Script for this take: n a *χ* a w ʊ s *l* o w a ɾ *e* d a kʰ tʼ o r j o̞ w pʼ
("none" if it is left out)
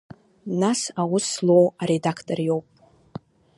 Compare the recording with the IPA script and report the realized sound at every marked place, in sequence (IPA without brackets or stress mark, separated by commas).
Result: s, l, e